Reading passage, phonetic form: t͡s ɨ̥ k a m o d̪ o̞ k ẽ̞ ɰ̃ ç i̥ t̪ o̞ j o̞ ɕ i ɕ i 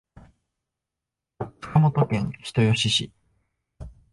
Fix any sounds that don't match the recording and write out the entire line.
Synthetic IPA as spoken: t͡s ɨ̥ k a m o t̪ o̞ k ẽ̞ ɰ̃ ç i̥ t̪ o̞ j o̞ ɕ i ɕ i